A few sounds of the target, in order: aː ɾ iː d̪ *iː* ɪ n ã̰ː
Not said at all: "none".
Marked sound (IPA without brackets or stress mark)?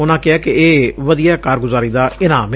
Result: aː